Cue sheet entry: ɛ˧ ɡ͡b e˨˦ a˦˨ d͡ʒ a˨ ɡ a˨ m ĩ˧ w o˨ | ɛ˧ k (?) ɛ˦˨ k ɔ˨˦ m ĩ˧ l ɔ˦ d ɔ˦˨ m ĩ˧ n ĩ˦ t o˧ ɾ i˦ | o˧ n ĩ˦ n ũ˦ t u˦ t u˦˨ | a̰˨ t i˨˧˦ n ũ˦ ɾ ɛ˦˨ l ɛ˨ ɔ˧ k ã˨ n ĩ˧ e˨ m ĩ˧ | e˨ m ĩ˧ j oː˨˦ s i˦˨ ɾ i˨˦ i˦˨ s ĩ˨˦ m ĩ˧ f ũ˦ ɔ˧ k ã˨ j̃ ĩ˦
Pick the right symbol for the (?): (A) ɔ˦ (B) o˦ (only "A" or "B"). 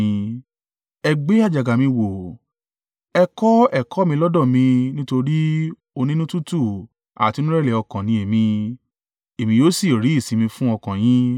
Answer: A